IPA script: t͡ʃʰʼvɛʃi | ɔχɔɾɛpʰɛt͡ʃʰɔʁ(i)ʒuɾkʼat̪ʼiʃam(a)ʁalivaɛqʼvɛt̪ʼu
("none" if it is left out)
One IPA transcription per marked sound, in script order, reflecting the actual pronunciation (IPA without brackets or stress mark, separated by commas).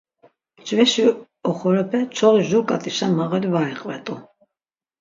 i, a